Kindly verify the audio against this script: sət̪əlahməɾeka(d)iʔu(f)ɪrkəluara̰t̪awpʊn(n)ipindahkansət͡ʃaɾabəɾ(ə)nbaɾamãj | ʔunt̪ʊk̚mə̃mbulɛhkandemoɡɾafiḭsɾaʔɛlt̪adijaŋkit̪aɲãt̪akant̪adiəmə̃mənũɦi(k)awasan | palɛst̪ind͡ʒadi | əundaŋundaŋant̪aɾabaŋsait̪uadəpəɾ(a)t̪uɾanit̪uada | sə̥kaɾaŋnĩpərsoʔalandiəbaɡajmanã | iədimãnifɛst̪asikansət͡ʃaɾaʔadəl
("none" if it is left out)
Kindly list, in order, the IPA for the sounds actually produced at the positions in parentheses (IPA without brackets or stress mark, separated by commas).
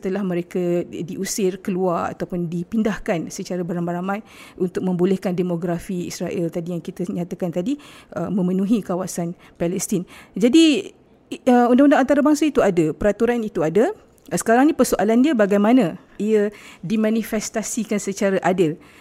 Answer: d, s, d, a, k, a